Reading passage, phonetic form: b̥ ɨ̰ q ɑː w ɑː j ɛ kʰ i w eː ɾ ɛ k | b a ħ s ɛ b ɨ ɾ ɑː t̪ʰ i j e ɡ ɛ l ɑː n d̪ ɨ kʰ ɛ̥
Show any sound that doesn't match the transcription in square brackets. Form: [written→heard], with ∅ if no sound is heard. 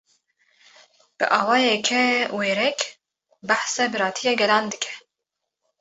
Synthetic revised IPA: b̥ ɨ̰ [q→ʔ] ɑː w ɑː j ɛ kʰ [i→ɛ] w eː ɾ ɛ k | b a ħ s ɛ b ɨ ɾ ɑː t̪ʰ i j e ɡ ɛ l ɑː n d̪ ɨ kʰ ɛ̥